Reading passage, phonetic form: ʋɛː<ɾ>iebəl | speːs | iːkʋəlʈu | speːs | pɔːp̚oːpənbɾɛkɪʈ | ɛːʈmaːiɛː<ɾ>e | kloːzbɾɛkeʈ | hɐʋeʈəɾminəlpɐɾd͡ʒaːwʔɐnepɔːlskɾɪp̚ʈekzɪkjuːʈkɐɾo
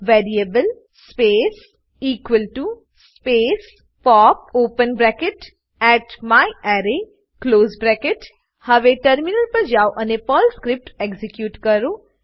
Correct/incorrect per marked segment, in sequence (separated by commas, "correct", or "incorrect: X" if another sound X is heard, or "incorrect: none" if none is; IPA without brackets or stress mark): correct, correct